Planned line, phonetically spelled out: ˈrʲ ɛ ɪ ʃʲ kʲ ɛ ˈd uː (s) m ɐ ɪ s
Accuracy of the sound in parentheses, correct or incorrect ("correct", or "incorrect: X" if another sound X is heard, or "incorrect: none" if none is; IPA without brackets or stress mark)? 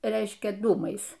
incorrect: none